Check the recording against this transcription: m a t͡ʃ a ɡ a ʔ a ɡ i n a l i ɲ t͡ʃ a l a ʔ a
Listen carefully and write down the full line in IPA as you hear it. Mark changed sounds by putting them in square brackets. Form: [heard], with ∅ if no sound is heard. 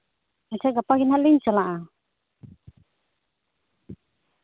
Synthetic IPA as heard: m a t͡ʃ a ɡ a [p] a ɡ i n a l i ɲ t͡ʃ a l a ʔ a